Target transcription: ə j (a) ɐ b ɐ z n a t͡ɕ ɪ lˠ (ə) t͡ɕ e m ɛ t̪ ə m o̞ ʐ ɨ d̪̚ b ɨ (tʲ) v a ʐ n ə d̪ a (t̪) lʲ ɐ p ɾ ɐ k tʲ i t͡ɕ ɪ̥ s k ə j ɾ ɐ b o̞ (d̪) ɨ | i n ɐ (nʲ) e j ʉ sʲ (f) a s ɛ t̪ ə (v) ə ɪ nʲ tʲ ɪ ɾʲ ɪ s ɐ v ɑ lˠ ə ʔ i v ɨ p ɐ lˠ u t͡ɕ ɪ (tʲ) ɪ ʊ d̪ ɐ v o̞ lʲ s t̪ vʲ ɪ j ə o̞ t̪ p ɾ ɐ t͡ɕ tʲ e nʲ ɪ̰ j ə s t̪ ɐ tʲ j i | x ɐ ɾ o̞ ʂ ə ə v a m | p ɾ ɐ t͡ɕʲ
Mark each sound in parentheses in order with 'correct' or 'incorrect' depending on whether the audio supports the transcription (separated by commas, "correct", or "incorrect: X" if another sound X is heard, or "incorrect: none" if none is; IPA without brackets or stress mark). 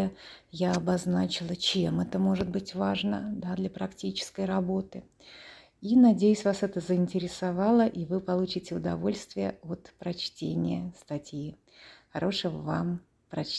correct, correct, correct, incorrect: d̪, incorrect: t̪, incorrect: dʲ, incorrect: v, incorrect: z, correct